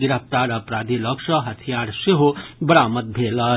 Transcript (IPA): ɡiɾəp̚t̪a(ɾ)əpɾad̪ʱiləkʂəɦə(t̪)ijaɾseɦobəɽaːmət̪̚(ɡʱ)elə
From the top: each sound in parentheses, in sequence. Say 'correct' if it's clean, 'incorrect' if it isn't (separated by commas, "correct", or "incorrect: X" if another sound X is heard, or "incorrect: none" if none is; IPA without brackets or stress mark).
correct, incorrect: t̪ʰ, incorrect: bʱ